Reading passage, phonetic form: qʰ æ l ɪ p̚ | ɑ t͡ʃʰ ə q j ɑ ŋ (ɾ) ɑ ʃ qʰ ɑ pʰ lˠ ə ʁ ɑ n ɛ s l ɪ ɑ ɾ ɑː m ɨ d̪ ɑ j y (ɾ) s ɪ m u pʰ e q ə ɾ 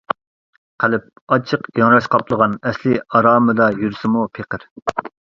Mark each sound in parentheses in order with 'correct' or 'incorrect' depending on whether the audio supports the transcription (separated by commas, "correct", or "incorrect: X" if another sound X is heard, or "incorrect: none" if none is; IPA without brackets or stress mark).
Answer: correct, correct